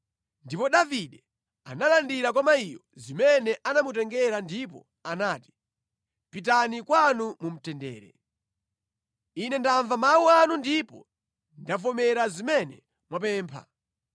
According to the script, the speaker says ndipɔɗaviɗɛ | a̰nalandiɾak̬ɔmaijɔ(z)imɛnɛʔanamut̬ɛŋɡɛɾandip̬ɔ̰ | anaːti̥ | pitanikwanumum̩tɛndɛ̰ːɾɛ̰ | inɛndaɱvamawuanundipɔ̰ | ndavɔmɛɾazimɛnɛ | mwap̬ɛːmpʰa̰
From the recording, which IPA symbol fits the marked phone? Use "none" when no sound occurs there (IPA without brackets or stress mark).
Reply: z